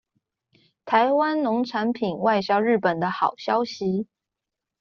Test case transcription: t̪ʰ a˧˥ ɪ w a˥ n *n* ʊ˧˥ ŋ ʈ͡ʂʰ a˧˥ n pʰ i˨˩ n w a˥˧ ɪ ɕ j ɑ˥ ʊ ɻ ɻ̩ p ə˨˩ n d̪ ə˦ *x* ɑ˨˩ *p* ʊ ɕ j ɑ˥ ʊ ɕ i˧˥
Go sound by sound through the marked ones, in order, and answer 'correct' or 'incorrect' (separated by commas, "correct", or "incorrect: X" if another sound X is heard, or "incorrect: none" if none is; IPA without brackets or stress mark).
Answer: correct, correct, incorrect: none